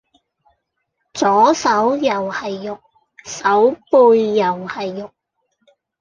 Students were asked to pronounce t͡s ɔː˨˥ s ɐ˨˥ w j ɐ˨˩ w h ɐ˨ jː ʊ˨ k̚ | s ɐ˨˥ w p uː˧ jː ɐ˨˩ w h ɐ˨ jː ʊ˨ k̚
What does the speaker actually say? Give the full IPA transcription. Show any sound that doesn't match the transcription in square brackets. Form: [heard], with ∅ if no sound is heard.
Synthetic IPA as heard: t͡s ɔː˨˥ s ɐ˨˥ w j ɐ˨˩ w h ɐ˨ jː ʊ˨ k̚ | s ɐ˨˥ w p uː˧ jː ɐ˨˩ w h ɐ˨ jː ʊ˨ k̚